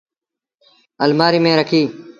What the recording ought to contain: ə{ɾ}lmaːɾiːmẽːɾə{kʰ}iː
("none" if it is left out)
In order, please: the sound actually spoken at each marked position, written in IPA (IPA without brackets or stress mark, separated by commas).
none, kʰ